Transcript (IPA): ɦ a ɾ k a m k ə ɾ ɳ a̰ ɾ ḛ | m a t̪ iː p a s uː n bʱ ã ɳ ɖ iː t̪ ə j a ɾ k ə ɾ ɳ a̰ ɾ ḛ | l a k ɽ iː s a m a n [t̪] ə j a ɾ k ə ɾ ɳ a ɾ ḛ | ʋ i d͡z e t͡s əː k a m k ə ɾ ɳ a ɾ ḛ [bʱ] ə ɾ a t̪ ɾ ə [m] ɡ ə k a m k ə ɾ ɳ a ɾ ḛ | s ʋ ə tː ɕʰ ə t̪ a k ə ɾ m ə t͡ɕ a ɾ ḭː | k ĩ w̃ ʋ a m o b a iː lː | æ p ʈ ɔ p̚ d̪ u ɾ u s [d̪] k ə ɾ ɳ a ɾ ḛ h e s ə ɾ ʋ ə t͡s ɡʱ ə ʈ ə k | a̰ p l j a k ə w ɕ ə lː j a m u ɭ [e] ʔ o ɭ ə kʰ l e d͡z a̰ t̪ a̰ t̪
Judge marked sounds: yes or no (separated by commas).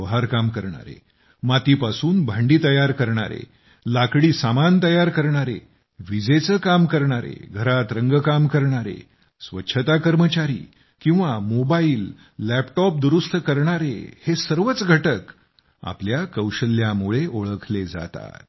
yes, no, no, no, yes